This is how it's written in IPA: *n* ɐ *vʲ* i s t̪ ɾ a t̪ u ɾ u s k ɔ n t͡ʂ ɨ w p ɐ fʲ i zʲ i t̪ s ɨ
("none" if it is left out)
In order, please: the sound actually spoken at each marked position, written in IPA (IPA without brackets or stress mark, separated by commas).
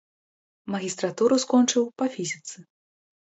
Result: m, ɣʲ